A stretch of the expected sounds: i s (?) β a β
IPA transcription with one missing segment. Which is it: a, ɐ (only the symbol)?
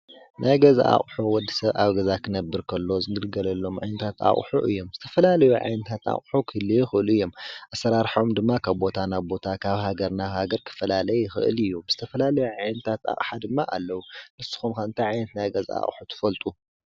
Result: ɐ